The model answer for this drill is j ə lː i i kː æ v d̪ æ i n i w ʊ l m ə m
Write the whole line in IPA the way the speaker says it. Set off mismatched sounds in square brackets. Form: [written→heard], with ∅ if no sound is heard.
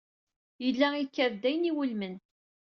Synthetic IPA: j ə lː [i→æ] i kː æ v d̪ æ [i→j] n i w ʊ l m ə [m→n]